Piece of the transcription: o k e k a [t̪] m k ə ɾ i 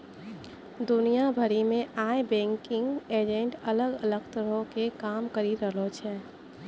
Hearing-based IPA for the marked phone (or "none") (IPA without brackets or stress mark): none